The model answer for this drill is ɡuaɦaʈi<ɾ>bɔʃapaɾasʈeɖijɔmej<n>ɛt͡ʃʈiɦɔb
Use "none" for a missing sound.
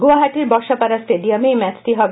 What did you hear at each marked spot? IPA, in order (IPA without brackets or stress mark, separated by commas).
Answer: ɾ, m